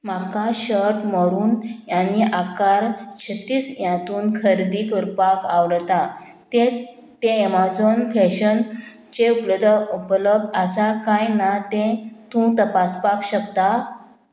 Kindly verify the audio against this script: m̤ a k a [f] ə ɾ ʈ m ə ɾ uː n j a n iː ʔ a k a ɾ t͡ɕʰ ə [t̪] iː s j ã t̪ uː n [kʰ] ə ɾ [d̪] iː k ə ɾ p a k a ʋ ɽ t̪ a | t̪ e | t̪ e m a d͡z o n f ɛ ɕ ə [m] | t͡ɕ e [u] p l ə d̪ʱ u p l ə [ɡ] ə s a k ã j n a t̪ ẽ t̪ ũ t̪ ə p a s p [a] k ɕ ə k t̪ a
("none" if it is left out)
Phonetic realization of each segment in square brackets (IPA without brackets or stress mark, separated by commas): ɕ, t̪, kʰ, d̪, n, u, b, a